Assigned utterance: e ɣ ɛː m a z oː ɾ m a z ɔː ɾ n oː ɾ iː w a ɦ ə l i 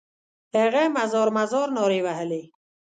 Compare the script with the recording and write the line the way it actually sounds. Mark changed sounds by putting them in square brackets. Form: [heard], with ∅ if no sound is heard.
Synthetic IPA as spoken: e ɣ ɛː m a z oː ɾ m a z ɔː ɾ n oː ɾ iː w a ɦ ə l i